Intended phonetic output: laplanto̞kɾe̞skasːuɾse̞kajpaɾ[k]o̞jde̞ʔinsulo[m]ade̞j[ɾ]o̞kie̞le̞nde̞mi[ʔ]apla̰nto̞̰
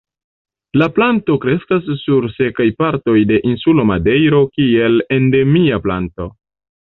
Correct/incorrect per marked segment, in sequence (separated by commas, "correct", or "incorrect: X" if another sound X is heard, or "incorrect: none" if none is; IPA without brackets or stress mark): incorrect: t, correct, correct, incorrect: none